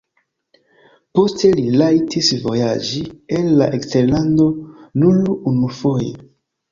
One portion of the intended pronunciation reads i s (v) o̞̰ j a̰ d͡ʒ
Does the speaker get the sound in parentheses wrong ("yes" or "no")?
no